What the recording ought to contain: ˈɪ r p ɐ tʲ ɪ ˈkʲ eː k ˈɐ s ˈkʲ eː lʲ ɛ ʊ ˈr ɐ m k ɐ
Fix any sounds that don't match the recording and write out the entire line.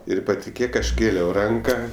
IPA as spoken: ˈɪ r p ɐ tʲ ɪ ˈkʲ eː k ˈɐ ʃ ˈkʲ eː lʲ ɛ ʊ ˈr ɐ ŋ k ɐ